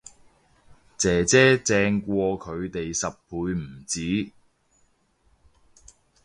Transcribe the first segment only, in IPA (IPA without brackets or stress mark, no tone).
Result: t͡s